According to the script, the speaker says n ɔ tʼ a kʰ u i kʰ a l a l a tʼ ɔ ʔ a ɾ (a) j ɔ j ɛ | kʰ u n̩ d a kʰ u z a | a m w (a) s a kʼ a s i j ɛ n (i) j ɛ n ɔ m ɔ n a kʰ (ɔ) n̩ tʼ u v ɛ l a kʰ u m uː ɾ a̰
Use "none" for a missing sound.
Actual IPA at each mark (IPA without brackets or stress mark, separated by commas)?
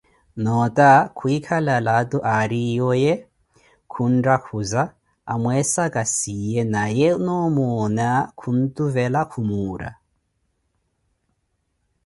i, ɛ, a, u